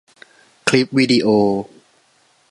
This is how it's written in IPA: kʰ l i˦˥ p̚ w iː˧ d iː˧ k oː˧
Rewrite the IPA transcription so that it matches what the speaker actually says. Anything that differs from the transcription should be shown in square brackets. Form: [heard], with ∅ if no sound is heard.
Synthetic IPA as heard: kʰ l i˦˥ p̚ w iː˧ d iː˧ [ʔ] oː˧